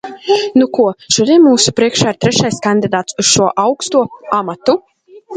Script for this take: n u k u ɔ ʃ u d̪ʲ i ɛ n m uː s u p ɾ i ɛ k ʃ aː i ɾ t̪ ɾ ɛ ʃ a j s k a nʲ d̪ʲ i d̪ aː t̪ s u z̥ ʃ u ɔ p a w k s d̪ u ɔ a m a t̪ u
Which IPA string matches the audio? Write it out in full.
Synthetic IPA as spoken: n u k u ɔ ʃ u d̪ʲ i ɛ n m uː s u p ɾ i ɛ k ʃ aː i ɾ t̪ ɾ ɛ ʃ a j s k a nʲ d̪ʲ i d̪ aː t̪ s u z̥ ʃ u ɔ ʔ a w k s t̪ u ɔ a m a t̪ u

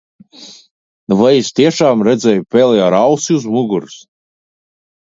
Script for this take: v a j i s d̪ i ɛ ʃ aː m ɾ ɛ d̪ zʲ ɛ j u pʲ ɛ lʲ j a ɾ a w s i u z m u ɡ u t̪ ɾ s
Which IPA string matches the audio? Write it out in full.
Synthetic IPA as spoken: v a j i s t̪ i ɛ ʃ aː m ɾ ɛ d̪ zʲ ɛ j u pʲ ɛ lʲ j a ɾ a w s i u z m u ɡ u ɾ s

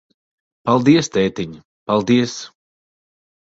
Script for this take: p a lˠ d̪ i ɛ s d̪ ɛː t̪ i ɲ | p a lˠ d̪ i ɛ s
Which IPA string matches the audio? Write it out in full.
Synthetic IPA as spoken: p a lˠ d̪ i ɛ s t̪ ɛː t̪ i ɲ | p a lˠ d̪ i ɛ s

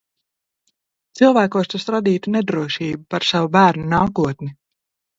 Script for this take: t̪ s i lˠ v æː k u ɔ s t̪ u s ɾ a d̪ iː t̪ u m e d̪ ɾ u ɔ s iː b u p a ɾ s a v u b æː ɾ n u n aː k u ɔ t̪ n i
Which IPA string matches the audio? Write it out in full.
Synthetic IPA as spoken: t̪ s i lˠ v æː k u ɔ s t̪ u s ɾ a d̪ iː t̪ u n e d̪ ɾ u ɔ ʃ iː b u p a ɾ s a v u b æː ɾ n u n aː k u ɔ t̪ n i

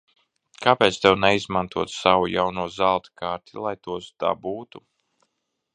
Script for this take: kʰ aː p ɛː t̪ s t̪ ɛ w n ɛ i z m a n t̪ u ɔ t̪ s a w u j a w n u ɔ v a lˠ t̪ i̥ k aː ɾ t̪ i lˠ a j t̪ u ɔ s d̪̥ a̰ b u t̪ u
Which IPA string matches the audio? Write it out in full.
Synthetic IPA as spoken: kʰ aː p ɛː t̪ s t̪ ɛ w n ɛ i z m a n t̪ u ɔ t̪ s a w u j a w n u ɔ z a lˠ t̪ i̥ k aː ɾ t̪ i lˠ a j t̪ u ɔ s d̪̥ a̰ b uː t̪ u

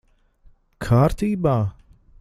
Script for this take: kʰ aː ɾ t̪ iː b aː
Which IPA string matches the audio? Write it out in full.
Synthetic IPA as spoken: kʰ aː ɾ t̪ iː b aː

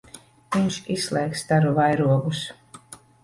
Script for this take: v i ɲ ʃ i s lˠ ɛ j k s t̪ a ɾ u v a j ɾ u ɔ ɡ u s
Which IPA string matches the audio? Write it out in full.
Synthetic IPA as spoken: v i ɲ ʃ i s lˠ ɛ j k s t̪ a ɾ u v a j ɾ u ɔ ɡ u s

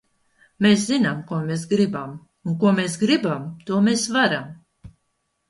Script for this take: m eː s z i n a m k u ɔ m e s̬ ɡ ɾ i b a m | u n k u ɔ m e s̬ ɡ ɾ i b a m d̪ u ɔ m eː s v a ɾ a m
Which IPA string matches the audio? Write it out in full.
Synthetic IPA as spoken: m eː s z i n a m k u ɔ m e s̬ ɡ ɾ i b a m | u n k u ɔ m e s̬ ɡ ɾ i b a m t̪ u ɔ m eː s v a ɾ a m

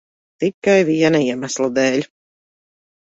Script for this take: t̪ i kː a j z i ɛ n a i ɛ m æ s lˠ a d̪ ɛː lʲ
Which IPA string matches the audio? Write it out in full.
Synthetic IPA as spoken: t̪ i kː a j v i ɛ n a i ɛ m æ s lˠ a d̪ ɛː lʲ

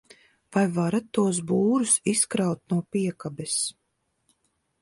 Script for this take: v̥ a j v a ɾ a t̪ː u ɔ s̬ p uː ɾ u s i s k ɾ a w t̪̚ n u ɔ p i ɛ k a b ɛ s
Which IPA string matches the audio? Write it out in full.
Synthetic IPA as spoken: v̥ a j v a ɾ a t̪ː u ɔ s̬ b uː ɾ u s i s k ɾ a w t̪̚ n u ɔ p i ɛ k a b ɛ s

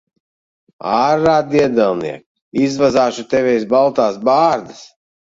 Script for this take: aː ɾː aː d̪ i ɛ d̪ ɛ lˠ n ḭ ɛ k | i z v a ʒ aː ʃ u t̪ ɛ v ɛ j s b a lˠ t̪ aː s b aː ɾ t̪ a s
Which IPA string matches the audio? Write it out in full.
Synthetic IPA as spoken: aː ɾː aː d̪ i ɛ d̪ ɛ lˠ n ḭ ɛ k | i z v a z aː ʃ u t̪ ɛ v ɛ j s b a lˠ t̪ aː s b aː ɾ d̪ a s

